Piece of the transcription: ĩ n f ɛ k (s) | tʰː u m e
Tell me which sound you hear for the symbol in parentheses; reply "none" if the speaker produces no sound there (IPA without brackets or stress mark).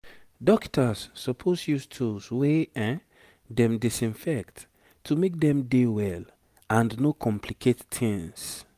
t